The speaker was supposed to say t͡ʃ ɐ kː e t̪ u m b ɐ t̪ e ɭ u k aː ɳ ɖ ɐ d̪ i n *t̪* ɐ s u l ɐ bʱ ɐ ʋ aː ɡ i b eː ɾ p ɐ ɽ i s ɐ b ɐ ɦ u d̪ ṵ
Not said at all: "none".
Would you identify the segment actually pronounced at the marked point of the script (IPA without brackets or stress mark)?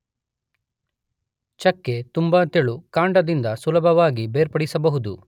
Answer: d̪